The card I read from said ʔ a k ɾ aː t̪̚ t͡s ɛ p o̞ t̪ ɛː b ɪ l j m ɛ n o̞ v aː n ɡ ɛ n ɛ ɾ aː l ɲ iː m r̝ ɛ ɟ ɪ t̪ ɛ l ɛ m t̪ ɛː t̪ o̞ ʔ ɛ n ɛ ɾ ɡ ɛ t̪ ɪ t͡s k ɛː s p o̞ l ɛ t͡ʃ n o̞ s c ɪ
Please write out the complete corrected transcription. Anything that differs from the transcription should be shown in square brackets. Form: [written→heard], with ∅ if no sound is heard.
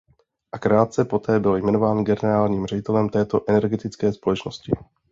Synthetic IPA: ʔ a k ɾ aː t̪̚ t͡s ɛ p o̞ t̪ ɛː b ɪ l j m ɛ n o̞ v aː n ɡ ɛ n ɛ ɾ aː l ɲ iː m r̝ ɛ ɟ ɪ t̪ ɛ l ɛ m t̪ ɛː t̪ o̞ ʔ ɛ n ɛ ɾ ɡ ɛ t̪ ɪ t͡s k ɛː s p o̞ l ɛ t͡ʃ n o̞ s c ɪ